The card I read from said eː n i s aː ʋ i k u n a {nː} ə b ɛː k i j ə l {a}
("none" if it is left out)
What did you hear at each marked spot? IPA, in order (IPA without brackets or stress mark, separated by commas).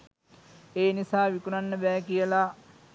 nː, a